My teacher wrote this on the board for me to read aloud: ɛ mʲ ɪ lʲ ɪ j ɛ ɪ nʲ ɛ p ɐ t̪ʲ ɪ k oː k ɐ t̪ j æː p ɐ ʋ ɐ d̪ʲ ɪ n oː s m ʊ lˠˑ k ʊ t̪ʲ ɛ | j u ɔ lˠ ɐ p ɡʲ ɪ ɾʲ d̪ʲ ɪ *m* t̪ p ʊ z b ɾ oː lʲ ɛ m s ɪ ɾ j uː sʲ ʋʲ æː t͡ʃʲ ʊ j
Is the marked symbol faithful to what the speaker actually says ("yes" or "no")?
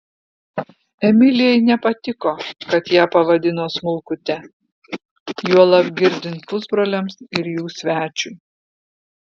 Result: no